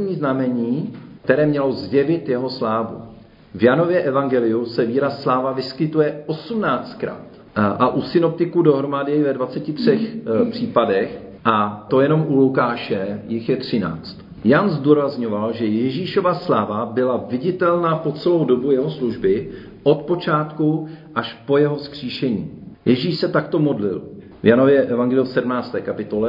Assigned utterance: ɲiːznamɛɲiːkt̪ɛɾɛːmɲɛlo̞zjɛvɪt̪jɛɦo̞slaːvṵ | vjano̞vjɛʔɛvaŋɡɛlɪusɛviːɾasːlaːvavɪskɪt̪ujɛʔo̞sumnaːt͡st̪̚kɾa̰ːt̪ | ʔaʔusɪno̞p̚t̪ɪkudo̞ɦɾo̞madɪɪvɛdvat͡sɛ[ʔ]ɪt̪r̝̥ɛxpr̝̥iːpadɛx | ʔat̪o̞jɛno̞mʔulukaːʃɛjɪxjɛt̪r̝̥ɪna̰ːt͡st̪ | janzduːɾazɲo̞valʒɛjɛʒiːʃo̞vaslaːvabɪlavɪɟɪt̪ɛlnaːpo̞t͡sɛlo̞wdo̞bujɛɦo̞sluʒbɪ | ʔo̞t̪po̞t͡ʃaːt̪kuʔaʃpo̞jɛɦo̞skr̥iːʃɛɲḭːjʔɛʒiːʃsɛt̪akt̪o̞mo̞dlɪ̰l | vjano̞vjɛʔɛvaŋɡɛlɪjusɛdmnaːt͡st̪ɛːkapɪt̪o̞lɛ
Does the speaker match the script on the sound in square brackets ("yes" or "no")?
no